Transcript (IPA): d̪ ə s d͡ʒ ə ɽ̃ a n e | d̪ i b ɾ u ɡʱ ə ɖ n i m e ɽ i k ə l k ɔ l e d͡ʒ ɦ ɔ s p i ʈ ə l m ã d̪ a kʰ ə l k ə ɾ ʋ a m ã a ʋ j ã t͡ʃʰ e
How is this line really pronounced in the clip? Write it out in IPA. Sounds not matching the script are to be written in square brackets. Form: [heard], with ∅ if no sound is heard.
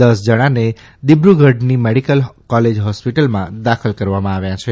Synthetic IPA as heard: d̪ ə s d͡ʒ ə ɽ̃ a n e | d̪ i b ɾ u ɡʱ ə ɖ n i m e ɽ i k ə l k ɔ l e d͡ʒ ɦ ɔ s p i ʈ ə l m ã d̪ a kʰ ə l k ə ɾ ʋ a m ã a ʋ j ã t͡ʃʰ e